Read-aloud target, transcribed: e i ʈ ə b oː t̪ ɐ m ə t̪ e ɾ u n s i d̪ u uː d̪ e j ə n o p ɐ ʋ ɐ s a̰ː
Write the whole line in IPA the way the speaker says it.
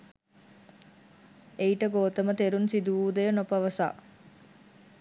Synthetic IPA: e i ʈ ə ɡ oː t̪ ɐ m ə t̪ e ɾ u n s i d̪ u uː d̪ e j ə n o p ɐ ʋ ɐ s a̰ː